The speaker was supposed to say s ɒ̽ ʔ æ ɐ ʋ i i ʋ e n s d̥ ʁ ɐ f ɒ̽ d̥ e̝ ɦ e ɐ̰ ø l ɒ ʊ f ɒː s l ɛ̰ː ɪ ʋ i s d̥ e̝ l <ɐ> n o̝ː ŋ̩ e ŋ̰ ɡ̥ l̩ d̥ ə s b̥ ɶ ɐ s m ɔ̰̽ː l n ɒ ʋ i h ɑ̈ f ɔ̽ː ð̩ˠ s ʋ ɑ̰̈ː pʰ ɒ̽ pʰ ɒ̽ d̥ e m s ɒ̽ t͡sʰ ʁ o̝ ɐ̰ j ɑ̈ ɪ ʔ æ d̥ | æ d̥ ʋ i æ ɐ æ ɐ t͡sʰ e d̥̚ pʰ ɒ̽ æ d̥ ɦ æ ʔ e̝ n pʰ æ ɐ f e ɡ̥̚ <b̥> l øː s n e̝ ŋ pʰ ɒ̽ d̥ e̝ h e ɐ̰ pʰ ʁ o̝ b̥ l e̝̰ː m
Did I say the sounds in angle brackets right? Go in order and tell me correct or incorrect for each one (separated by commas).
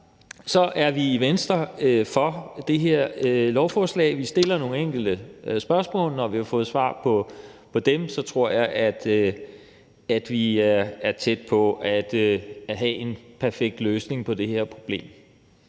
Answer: correct, incorrect